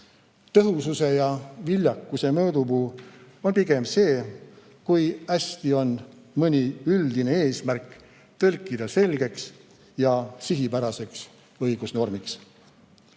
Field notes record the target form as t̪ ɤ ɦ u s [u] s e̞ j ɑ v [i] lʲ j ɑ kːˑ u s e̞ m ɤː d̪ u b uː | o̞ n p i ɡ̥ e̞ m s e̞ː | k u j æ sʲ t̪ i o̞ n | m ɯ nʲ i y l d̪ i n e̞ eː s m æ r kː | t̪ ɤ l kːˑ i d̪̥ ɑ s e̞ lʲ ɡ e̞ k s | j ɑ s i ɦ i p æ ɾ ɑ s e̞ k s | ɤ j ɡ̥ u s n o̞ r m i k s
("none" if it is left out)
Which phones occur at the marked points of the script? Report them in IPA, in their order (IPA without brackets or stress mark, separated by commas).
u, i